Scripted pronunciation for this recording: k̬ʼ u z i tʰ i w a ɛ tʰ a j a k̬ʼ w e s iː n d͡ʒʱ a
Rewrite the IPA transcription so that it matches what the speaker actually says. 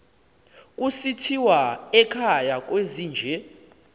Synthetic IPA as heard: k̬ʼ u s i tʰ i w a ɛ kʰ a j a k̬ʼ w e z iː n d͡ʒʱ ɛ